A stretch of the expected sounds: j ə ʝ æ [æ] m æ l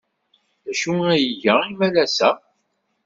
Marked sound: incorrect: i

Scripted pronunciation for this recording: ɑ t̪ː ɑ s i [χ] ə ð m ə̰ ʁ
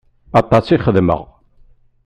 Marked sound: correct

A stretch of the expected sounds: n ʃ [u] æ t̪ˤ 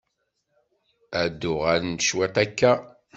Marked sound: incorrect: w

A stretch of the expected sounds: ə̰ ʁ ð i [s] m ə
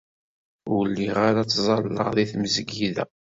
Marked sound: incorrect: θ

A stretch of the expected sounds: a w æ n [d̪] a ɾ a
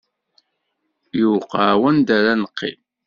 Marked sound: correct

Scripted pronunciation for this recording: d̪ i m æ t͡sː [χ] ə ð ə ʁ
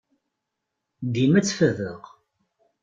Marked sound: incorrect: f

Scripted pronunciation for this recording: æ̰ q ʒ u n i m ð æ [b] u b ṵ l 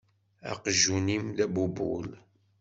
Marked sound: correct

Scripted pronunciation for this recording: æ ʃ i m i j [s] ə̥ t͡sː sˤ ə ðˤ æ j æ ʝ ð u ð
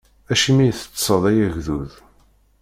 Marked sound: incorrect: θ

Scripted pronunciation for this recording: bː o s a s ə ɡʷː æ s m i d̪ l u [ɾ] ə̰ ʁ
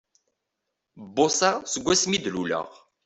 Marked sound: incorrect: l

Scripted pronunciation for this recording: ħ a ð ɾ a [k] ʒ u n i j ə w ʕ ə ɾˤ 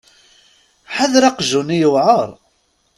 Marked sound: incorrect: q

